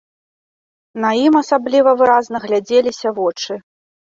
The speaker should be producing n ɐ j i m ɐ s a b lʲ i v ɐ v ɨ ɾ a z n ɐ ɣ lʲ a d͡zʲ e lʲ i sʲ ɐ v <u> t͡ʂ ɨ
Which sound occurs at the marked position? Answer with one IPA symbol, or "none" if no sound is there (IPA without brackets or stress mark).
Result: ɔ